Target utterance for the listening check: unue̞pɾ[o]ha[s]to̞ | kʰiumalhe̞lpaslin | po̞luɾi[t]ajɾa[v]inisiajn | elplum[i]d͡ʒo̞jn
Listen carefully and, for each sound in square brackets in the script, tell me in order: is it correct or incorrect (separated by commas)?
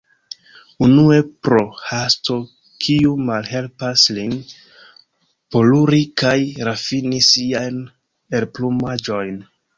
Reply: correct, correct, incorrect, incorrect, incorrect